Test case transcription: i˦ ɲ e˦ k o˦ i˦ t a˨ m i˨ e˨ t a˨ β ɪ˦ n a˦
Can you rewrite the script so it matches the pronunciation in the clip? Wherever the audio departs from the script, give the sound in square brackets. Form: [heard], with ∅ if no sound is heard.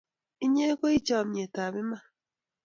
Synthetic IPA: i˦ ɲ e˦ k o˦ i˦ [t͡ʃ] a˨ m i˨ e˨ t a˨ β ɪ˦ [m] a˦